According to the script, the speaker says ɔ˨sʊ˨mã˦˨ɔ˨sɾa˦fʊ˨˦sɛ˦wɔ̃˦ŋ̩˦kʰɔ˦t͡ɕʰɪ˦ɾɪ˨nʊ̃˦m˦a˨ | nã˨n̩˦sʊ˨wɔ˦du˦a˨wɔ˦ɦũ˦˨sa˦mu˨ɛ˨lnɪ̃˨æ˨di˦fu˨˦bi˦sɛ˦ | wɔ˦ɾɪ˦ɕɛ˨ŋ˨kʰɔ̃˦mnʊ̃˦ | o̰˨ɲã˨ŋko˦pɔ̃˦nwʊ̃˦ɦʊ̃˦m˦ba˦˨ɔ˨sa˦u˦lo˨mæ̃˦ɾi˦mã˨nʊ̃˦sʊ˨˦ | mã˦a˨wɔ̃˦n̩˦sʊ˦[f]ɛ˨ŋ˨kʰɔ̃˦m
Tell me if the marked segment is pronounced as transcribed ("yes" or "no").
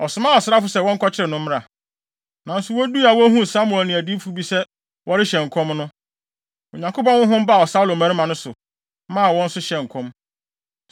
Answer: no